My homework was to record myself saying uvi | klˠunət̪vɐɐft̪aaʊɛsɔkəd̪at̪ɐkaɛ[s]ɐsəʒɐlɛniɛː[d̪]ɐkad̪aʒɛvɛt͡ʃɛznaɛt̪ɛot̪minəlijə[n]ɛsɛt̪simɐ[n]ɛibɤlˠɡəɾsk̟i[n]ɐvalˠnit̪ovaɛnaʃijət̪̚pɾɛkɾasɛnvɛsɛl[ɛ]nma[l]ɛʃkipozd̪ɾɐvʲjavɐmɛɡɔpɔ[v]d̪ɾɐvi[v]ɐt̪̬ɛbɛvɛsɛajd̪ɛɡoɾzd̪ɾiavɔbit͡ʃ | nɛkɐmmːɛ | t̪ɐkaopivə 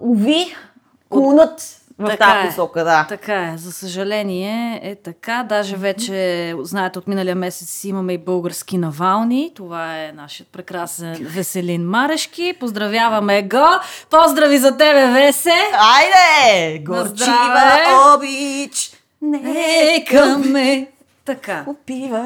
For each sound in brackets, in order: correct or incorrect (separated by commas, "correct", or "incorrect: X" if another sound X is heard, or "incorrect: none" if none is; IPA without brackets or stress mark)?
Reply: incorrect: z, incorrect: t̪, incorrect: m, incorrect: m, correct, incorrect: i, incorrect: ɾ, incorrect: z, incorrect: z